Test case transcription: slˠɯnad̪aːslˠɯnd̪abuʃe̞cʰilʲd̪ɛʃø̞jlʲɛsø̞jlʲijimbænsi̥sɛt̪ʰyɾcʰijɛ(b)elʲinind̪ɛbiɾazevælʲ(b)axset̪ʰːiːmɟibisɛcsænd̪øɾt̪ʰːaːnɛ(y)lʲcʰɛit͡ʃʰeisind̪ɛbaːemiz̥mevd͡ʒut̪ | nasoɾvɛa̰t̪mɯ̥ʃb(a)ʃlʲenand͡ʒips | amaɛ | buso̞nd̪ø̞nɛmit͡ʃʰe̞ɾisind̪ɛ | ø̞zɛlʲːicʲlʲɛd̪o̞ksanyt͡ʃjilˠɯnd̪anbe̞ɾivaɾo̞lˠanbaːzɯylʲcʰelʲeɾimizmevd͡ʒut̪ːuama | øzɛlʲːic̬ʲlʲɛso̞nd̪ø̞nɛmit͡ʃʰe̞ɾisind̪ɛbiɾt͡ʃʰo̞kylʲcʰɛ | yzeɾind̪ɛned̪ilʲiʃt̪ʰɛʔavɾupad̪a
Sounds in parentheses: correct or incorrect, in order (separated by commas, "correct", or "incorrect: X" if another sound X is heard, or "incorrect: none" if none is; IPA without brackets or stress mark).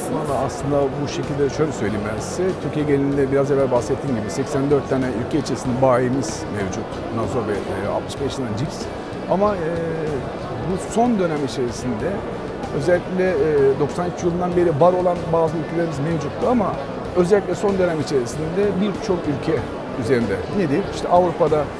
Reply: incorrect: ɟ, correct, correct, incorrect: ɛ